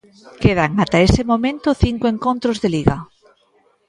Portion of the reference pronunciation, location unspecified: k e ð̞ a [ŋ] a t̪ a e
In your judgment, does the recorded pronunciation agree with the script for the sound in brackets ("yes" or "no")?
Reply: yes